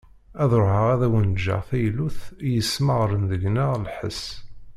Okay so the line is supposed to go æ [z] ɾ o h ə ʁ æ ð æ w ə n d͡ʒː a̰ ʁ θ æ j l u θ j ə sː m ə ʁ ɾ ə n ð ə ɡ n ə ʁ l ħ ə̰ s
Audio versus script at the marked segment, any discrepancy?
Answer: yes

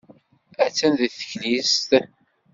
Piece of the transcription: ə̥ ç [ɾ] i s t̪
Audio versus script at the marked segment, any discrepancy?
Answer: yes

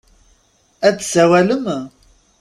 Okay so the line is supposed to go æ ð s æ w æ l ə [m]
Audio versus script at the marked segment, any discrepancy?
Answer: no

